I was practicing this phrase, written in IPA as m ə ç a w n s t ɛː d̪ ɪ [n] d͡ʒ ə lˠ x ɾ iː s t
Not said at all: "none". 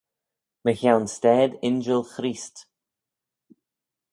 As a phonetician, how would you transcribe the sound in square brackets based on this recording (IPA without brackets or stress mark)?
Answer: n